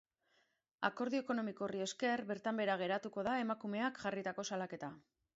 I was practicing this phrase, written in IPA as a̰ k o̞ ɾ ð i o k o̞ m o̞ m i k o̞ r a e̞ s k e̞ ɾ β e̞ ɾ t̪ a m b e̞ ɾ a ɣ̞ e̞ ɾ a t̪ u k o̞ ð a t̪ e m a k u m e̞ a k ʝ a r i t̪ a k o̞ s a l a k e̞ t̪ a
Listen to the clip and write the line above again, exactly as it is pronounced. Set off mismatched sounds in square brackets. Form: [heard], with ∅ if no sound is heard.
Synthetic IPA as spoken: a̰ k o̞ ɾ ð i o k o̞ [n] o̞ m i k o̞ r [i] e̞ s k e̞ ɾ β e̞ ɾ t̪ a m b e̞ ɾ a ɣ̞ e̞ ɾ a t̪ u k o̞ ð a [∅] e m a k u m e̞ a k ʝ a r i t̪ a k o̞ s a l a k e̞ t̪ a